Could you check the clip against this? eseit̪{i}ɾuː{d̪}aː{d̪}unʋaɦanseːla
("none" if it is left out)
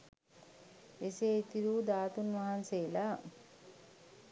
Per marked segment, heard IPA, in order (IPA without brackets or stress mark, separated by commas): i, d̪, t̪